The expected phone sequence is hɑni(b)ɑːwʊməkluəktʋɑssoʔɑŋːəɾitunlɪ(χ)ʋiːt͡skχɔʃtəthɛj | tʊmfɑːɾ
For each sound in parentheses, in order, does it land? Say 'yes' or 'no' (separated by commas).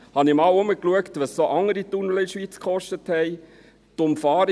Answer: no, no